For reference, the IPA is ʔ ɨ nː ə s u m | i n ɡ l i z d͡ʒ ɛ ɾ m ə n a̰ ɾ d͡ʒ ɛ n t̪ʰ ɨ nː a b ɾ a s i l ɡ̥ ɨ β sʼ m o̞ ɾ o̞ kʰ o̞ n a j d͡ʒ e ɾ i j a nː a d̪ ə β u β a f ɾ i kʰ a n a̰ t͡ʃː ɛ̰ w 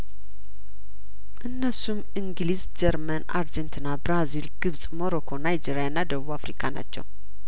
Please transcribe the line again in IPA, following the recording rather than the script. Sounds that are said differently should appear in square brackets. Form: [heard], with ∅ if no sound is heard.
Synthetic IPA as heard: ʔ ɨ nː ə s u m | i [ŋ] ɡ l i z d͡ʒ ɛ ɾ m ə n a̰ ɾ d͡ʒ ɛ n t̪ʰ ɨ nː a b ɾ a [z] i l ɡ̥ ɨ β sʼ m o̞ ɾ o̞ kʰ o̞ n a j d͡ʒ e ɾ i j a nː a d̪ ə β u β a f ɾ i kʰ a n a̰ t͡ʃː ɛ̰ w